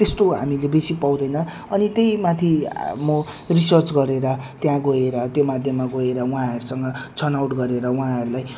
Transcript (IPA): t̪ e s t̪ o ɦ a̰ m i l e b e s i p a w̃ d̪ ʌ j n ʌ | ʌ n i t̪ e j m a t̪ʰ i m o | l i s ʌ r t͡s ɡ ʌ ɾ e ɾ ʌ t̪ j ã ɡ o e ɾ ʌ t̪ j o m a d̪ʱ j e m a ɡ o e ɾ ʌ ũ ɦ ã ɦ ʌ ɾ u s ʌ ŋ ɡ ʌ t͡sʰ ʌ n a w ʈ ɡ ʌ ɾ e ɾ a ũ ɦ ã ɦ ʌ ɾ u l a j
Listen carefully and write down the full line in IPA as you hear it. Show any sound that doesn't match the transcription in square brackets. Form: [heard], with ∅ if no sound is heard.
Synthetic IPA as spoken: t̪ e s t̪ o ɦ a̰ m i l e b e s i p a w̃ d̪ ʌ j n ʌ | ʌ n i t̪ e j m a t̪ʰ i m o | [r] i s ʌ r t͡s ɡ ʌ ɾ e ɾ ʌ t̪ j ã ɡ o e ɾ ʌ t̪ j o m a d̪ʱ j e m a ɡ o e ɾ ʌ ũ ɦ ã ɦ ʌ ɾ u s ʌ ŋ ɡ ʌ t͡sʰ ʌ n a w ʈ ɡ ʌ ɾ e ɾ [ʌ] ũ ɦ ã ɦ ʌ ɾ u l a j